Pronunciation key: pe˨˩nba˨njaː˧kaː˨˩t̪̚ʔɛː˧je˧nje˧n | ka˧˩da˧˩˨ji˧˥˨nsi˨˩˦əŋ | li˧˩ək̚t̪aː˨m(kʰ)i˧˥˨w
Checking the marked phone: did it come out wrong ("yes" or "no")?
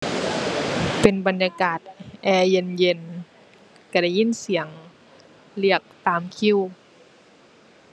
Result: no